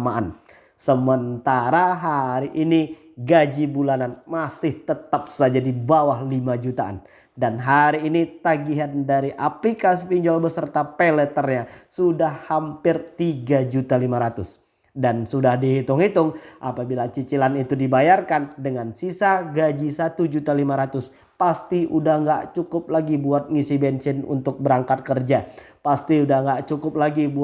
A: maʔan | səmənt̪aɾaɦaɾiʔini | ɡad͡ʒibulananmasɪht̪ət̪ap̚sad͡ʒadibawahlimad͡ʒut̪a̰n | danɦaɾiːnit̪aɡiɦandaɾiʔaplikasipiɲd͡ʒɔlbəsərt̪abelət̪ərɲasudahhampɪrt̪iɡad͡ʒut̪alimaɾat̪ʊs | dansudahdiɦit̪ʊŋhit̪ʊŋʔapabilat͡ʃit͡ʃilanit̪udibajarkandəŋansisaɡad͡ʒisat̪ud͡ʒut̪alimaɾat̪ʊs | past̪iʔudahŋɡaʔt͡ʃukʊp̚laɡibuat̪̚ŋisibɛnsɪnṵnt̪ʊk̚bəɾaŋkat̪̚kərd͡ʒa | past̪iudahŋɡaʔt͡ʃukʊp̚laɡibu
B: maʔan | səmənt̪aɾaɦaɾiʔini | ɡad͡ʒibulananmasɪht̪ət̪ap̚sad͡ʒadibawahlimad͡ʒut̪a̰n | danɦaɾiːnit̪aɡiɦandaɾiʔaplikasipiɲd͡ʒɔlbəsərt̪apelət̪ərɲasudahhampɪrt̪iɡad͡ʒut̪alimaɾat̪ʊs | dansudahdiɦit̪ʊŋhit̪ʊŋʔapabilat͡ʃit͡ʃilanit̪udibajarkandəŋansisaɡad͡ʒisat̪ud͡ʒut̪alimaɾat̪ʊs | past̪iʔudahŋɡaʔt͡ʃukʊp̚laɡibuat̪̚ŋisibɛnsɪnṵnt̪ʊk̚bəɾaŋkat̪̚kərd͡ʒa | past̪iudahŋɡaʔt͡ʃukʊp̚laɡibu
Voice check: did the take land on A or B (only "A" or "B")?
B